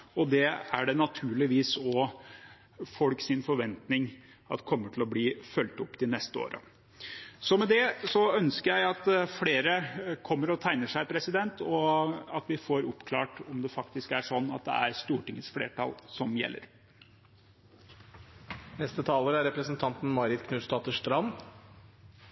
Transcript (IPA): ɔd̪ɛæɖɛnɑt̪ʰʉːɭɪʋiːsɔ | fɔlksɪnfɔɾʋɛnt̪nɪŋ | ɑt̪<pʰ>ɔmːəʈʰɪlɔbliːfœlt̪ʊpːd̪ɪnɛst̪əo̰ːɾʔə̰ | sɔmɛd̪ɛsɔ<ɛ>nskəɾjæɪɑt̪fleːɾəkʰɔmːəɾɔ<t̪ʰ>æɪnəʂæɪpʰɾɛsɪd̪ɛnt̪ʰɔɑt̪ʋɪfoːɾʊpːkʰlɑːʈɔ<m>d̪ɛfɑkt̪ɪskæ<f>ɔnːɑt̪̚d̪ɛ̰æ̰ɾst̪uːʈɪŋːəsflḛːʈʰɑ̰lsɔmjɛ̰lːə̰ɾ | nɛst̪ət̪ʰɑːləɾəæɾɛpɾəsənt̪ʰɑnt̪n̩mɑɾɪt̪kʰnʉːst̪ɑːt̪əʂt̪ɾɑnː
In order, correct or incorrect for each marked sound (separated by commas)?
incorrect, incorrect, correct, correct, incorrect